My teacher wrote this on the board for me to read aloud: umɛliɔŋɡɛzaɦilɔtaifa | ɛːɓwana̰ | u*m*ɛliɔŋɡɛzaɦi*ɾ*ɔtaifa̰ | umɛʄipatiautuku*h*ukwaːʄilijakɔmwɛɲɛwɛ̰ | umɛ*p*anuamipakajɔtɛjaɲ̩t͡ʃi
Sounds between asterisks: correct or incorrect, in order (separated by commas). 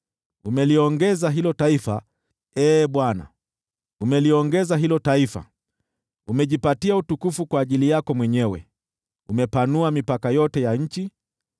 correct, incorrect, incorrect, correct